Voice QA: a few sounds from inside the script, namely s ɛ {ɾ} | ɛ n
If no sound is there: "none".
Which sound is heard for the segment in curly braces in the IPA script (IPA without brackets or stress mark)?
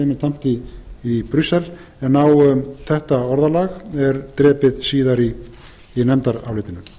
l